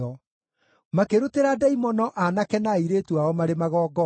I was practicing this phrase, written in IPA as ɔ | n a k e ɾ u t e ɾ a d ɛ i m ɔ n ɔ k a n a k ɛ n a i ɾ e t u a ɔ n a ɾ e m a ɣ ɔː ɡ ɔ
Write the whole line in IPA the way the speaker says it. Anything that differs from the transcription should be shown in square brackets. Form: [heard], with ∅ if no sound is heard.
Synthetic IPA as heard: ɔ | [m] a k e ɾ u t e ɾ a d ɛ i m ɔ n ɔ [ʔ] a n a k ɛ n a i ɾ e t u a ɔ [m] a ɾ e m a ɣ ɔː ɡ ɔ